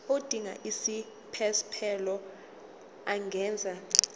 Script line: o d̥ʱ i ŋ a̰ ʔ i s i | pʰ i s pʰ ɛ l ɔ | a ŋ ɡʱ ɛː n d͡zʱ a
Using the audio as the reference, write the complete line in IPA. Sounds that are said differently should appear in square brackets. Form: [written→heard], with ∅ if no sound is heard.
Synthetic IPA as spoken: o d̥ʱ i ŋ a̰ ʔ i s i | pʰ [i→ɛ] s pʰ ɛ l ɔ | a ŋ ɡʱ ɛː n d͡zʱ a